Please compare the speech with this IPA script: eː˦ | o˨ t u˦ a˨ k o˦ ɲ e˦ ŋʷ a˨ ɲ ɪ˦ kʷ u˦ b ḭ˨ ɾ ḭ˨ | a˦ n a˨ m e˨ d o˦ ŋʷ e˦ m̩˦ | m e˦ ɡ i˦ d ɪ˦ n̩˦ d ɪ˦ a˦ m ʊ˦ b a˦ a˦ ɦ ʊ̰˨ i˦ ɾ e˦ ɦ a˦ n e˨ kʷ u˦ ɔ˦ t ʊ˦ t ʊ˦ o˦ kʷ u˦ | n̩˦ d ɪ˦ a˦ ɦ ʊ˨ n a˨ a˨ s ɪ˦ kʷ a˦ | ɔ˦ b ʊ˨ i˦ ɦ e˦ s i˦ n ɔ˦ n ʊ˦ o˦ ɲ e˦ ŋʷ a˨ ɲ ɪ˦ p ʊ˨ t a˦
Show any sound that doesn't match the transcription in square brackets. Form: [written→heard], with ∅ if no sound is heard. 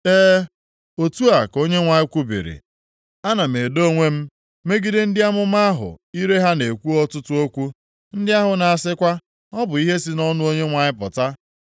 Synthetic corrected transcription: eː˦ | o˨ t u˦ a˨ k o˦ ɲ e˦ ŋʷ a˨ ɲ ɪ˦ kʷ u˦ b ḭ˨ ɾ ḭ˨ | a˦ n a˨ m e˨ d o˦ ŋʷ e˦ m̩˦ | m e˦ ɡ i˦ d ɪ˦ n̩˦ d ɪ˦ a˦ m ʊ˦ [b→m] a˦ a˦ ɦ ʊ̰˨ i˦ ɾ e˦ ɦ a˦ n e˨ kʷ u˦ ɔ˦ t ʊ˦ t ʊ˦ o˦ kʷ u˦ | n̩˦ d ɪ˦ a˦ ɦ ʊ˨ n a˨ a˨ s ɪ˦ kʷ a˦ | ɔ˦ b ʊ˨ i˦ ɦ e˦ s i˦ n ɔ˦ n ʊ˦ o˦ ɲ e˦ ŋʷ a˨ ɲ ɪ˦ p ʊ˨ t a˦